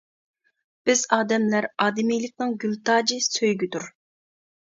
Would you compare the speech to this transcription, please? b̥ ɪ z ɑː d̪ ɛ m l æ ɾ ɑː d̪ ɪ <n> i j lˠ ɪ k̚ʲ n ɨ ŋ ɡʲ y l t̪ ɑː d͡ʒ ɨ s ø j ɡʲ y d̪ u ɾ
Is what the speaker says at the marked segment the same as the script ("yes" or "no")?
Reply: no